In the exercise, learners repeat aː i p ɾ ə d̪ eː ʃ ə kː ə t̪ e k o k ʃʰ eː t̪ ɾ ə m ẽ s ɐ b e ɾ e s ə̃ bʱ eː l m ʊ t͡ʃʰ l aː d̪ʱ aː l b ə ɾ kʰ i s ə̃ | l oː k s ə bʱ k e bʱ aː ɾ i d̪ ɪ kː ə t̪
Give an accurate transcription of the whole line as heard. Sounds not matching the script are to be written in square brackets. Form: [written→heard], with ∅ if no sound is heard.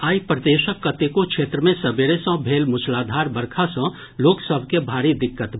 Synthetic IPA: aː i p ɾ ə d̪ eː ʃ ə kː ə t̪ e k o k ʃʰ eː t̪ ɾ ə m ẽ s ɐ b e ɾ e s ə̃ bʱ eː l m ʊ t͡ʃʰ l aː d̪ʱ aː [l→ɾ] b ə ɾ kʰ [i→a] s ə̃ | l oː k s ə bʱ k e bʱ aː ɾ i d̪ ɪ kː ə t̪

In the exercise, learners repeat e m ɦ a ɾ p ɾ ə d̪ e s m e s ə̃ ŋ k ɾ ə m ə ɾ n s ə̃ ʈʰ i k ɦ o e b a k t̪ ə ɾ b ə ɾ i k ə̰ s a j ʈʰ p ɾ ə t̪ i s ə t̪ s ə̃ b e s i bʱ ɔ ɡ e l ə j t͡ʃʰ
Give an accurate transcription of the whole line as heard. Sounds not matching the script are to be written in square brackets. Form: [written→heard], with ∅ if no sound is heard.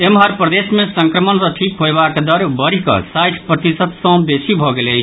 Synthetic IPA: e m ɦ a ɾ p ɾ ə d̪ e s m e s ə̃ ŋ k ɾ ə m ə [ɾ→∅] n s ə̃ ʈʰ i k ɦ o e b a k [t̪→d̪] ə ɾ b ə ɾ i k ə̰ s a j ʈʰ p ɾ ə t̪ i s ə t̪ s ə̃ b e s i bʱ ɔ ɡ e l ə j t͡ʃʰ

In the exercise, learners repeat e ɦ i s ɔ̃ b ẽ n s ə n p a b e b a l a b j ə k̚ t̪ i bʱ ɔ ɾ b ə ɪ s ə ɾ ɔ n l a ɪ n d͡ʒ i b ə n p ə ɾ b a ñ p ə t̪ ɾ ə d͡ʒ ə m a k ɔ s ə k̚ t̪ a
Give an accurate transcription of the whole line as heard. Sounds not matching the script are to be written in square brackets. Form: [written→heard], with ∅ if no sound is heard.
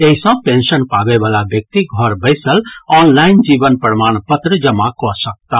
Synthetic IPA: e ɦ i s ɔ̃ [b→p] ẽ n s ə n p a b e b a l a b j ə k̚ t̪ i [bʱ→ɡʱ] ɔ ɾ b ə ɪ s ə [ɾ→l] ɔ n l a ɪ n d͡ʒ i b ə n p ə ɾ [b→m] a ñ p ə t̪ ɾ ə d͡ʒ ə m a k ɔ s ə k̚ t̪ a

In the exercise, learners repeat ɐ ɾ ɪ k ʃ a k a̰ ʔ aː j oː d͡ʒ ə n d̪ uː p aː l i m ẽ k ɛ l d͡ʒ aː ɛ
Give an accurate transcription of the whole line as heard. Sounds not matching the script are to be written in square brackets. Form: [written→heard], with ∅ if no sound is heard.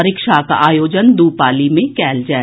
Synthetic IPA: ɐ ɾ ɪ k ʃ a k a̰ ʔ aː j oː d͡ʒ ə n d̪ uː p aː l i m ẽ k [ɛ→ɛː] l d͡ʒ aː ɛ

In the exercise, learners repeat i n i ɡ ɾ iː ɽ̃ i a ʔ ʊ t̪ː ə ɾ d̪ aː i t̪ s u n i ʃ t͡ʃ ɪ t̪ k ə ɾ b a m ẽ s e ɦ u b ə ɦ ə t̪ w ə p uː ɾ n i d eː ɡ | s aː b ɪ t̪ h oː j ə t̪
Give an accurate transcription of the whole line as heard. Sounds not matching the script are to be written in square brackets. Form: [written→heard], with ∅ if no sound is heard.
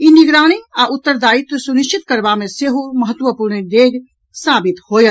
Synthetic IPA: i n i ɡ ɾ [iː→aː] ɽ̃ i a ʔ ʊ t̪ː ə ɾ d̪ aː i t̪ s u n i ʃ t͡ʃ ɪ t̪ k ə ɾ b a m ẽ s e ɦ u [b→m] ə ɦ ə t̪ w ə p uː ɾ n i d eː ɡ | s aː b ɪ t̪ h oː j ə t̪

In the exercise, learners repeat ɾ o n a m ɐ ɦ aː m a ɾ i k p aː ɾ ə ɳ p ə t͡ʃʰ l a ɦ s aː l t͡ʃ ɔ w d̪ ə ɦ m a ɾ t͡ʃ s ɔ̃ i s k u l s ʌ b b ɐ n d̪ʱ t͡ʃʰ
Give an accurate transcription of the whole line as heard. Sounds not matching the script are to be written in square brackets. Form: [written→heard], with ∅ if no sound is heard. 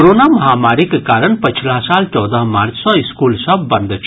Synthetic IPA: ɾ o n a m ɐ ɦ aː m a ɾ i k [p→k] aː ɾ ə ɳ p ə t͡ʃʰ l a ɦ s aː l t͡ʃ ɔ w d̪ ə ɦ m a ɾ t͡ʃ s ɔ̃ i s k u l s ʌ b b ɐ n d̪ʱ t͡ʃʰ

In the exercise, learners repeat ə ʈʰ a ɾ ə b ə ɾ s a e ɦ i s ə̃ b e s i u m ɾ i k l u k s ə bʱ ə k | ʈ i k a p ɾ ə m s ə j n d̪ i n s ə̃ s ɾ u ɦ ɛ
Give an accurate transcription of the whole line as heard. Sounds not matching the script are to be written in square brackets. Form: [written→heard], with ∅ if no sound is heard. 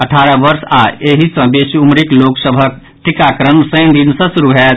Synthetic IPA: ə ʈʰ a ɾ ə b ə ɾ s a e ɦ i s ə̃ b e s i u m ɾ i k l [u→o] k s ə bʱ ə k | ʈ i k a [p→k] ɾ ə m s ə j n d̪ i n s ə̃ s ɾ u ɦ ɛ

